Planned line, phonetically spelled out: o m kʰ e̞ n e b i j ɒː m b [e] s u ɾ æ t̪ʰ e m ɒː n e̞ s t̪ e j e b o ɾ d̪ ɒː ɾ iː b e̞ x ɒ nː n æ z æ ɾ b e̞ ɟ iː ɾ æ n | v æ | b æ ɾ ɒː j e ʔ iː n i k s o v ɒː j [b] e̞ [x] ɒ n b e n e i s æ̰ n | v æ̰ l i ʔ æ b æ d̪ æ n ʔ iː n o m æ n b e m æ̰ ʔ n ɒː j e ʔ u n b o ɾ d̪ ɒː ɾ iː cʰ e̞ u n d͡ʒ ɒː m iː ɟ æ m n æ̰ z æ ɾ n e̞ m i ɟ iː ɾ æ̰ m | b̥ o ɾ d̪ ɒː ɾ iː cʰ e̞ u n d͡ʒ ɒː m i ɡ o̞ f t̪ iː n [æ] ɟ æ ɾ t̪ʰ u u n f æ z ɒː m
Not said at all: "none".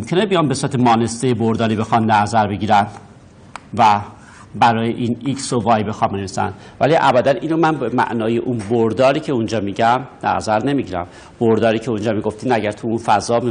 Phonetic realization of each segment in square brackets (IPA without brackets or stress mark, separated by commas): e, b, x, æ